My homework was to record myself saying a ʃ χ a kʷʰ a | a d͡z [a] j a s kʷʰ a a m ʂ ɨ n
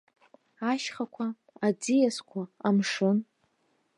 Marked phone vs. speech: incorrect: i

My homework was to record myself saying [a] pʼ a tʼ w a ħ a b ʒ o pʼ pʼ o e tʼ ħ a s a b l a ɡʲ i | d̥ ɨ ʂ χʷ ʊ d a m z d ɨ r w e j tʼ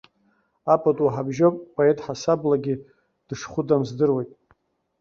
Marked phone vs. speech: correct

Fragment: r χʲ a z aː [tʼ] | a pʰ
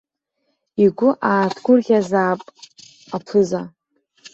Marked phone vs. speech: incorrect: pʼ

